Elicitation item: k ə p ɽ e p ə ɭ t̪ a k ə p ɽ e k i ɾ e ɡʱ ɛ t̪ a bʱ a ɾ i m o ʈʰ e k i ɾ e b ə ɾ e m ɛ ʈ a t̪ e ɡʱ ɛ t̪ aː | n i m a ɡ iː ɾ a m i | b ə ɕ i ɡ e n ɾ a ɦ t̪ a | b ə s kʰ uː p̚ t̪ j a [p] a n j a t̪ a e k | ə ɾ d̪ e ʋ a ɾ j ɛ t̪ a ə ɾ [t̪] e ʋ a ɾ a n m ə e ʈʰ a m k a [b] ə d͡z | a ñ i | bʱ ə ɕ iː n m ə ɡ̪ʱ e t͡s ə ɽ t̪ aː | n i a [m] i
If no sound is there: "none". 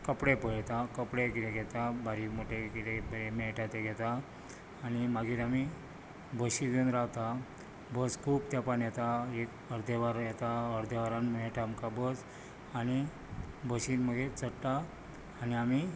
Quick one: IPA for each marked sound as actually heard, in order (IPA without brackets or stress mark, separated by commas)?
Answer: p, d̪, b, m